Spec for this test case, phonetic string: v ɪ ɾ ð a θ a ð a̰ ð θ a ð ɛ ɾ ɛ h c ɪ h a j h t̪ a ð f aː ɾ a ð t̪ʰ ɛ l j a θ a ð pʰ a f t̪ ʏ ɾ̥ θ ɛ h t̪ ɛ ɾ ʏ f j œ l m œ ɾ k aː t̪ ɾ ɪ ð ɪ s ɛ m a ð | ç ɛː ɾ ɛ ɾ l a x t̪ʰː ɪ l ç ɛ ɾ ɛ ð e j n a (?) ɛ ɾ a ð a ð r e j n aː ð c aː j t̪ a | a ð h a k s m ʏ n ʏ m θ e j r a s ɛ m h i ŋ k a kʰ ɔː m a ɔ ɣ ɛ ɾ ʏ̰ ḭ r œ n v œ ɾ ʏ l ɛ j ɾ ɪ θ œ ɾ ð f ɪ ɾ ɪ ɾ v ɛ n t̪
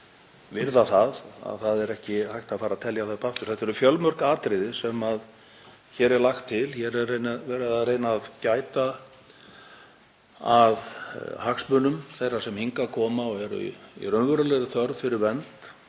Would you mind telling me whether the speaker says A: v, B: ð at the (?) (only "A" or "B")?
A